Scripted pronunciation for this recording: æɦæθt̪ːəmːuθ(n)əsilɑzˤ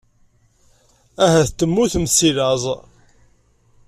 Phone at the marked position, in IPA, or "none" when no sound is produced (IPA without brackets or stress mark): m